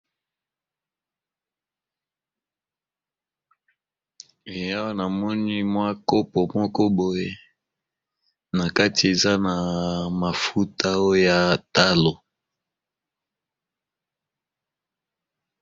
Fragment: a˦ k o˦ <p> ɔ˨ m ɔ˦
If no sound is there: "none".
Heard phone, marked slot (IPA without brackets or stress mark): p